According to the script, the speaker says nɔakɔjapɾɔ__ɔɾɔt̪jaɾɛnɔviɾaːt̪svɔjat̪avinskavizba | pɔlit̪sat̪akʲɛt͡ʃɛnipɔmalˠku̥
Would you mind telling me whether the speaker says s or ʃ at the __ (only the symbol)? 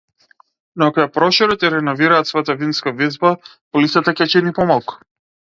ʃ